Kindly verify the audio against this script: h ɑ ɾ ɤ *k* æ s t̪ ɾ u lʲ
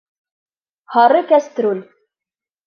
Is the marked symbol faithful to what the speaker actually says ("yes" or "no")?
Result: yes